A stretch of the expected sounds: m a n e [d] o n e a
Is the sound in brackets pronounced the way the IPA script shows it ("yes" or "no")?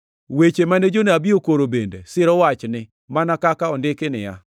no